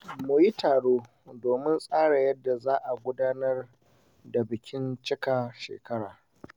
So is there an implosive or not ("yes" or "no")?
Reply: no